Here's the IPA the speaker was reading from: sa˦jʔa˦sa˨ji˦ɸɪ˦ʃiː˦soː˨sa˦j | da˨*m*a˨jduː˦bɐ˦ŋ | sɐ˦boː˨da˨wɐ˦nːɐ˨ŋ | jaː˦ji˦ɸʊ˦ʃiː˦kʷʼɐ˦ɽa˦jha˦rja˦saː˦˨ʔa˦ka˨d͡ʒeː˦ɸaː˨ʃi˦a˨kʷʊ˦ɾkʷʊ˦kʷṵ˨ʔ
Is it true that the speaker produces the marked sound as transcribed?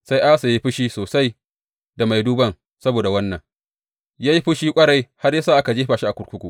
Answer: yes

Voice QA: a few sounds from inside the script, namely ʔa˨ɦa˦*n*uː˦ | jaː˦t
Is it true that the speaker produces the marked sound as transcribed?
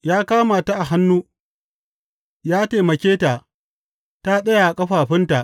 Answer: no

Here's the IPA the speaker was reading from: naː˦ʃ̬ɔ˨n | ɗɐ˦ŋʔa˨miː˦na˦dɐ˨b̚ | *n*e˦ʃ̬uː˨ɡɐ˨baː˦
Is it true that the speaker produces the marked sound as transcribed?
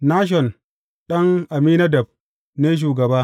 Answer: yes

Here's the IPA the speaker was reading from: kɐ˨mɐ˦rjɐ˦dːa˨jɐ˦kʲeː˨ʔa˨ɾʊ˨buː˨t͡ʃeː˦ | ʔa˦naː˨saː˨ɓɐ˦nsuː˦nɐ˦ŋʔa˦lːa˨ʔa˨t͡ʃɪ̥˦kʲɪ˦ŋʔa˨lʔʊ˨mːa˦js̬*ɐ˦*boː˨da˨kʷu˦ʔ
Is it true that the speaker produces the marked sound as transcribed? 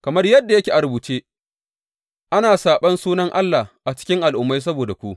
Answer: yes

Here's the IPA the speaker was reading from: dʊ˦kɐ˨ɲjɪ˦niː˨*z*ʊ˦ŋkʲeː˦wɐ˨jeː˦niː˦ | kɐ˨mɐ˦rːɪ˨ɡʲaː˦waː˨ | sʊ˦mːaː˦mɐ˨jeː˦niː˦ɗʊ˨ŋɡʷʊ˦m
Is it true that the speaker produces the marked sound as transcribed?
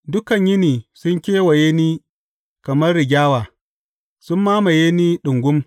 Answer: no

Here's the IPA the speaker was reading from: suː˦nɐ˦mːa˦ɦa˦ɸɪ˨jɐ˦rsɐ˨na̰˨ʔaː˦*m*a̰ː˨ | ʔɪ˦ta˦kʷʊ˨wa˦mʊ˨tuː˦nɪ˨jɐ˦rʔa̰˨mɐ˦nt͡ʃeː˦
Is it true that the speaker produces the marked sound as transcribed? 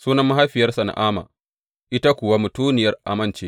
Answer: yes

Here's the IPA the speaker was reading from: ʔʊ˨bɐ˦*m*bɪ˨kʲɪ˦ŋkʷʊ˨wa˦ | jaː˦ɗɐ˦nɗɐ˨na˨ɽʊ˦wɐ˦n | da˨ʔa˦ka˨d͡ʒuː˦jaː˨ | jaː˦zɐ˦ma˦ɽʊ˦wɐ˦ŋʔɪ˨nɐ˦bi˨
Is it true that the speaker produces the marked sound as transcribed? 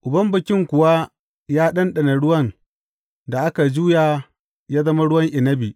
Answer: yes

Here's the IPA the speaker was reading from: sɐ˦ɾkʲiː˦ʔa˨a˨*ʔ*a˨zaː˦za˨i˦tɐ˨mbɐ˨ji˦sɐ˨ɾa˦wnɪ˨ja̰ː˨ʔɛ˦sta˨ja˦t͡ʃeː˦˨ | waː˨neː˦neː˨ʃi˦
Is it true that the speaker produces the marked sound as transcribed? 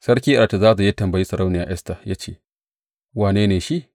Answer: no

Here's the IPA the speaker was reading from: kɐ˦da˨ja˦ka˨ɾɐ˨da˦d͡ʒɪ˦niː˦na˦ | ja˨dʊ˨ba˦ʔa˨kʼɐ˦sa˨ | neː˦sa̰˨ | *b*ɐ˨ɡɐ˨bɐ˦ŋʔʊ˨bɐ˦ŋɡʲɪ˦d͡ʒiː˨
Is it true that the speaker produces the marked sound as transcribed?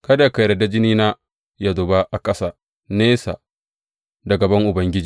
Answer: no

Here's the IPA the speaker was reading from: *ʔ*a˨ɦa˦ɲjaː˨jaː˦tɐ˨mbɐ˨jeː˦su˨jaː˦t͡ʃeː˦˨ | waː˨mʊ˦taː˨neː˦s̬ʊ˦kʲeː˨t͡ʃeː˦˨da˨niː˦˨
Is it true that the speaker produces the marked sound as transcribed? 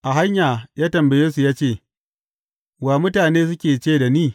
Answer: yes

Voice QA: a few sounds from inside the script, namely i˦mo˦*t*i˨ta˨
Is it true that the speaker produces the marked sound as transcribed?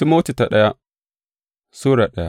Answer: yes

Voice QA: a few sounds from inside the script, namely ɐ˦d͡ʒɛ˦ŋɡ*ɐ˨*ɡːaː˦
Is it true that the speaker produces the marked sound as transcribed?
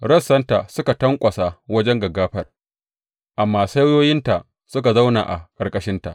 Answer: yes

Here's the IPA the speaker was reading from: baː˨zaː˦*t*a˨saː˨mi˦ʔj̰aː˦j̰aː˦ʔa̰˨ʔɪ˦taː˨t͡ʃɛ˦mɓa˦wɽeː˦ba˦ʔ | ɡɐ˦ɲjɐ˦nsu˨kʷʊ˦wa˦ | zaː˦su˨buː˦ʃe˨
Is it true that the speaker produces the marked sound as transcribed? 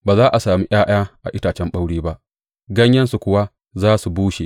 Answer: no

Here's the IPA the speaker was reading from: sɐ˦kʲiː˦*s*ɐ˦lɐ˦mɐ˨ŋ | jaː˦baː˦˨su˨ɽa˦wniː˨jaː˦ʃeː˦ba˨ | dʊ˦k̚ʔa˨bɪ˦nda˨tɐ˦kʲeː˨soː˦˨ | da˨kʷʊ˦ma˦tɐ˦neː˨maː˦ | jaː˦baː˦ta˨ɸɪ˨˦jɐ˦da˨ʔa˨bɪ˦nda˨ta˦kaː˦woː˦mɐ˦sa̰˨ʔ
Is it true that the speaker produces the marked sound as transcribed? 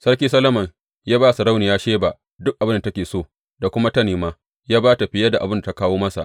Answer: yes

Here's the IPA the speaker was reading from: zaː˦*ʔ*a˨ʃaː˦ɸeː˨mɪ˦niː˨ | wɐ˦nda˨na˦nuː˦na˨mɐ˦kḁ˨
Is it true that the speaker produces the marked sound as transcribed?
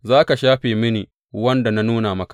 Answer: no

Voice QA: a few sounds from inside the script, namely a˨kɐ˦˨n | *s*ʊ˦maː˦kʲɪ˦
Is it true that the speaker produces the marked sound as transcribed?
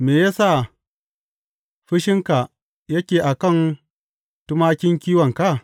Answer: no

